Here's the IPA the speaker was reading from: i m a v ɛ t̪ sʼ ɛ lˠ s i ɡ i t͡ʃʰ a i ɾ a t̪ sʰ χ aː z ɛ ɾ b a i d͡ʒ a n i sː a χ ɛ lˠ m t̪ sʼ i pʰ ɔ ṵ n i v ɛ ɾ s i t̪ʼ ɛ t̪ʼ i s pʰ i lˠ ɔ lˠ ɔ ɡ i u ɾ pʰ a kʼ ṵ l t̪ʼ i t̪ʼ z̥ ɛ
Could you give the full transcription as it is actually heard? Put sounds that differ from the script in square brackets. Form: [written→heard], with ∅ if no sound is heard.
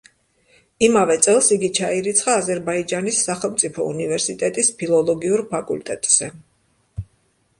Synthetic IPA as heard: i m a v ɛ t̪ sʼ ɛ lˠ s i ɡ i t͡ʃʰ a i ɾ [a→i] t̪ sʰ χ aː z ɛ ɾ b a i d͡ʒ a n i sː a χ ɛ lˠ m t̪ sʼ i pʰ ɔ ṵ n i v ɛ ɾ s i t̪ʼ ɛ t̪ʼ i s pʰ i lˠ ɔ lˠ ɔ ɡ i u ɾ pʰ a kʼ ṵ l t̪ʼ [i→ɛ] t̪ʼ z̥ ɛ

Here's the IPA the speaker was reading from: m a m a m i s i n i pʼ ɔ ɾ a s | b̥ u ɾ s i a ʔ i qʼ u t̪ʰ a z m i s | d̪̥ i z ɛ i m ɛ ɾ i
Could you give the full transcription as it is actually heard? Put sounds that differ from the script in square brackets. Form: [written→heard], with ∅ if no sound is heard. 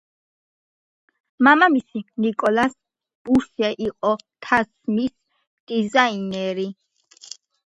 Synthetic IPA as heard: m a m a m i s i n i [pʼ→kʼ] ɔ [ɾ→l] a s | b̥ u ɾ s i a ʔ i qʼ [u→ɔ] t̪ʰ a [z→s] m i s | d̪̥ i z [ɛ→a] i [m→n] ɛ ɾ i

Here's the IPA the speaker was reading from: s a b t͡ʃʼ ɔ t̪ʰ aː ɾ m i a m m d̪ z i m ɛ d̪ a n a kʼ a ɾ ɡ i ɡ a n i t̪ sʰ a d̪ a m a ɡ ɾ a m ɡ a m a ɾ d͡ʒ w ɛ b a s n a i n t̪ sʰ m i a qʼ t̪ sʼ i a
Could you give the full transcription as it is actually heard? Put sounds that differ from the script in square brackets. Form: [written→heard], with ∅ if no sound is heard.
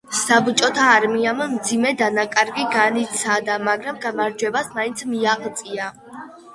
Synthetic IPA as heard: s a b t͡ʃʼ ɔ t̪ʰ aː ɾ m i a m m d̪ z i m ɛ d̪ a n a kʼ a ɾ ɡ i ɡ a n i t̪ sʰ a d̪ a m a ɡ ɾ a m ɡ a m a ɾ d͡ʒ w ɛ b a s [n→m] a i n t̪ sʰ m i a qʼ t̪ sʼ i a

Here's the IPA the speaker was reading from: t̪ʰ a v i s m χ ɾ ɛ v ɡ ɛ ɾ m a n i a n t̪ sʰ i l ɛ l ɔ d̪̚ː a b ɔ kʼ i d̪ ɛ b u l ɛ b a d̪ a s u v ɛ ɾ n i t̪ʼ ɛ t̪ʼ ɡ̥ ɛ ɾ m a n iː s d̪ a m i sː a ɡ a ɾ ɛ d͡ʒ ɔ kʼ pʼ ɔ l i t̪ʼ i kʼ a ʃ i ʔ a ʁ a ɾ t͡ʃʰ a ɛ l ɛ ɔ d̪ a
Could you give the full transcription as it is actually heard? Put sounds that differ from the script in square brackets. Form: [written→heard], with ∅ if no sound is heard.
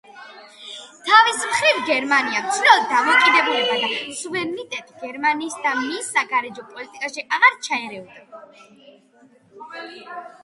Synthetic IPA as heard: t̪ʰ a v i s m χ ɾ [ɛ→i] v ɡ ɛ ɾ m a n i a [n→m] t̪ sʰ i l ɛ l ɔ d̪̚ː a [b→m] ɔ kʼ i d̪ ɛ b u l ɛ b a d̪ a s u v ɛ ɾ n i t̪ʼ ɛ t̪ʼ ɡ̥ ɛ ɾ m a n iː s d̪ a m i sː a ɡ a ɾ ɛ d͡ʒ ɔ [kʼ→∅] pʼ ɔ l i t̪ʼ i kʼ a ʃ i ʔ a ʁ a ɾ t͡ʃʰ a ɛ [l→ɾ] ɛ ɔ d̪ a

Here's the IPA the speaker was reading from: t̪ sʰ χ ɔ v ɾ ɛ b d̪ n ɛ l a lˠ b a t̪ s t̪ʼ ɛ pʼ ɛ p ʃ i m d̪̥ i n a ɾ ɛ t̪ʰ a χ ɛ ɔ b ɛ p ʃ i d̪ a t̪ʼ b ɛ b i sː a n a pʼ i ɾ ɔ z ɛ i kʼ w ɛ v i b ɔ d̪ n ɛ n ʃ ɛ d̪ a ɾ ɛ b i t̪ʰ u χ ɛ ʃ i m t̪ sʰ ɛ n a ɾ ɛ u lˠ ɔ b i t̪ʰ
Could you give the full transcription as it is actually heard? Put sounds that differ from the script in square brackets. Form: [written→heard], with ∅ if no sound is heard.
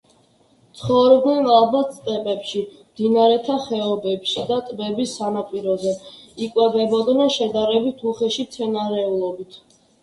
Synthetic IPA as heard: t̪ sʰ χ ɔ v ɾ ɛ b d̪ n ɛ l a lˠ b a t̪ s t̪ʼ ɛ pʼ ɛ p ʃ i m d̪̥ i n a ɾ ɛ t̪ʰ a χ ɛ ɔ b ɛ p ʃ i d̪ a t̪ʼ b ɛ b i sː a n a pʼ i ɾ ɔ z ɛ i kʼ w ɛ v [i→ɛ] b ɔ d̪ n ɛ n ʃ ɛ d̪ a ɾ ɛ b i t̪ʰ u χ ɛ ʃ i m t̪ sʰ ɛ n a ɾ ɛ u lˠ ɔ b i t̪ʰ

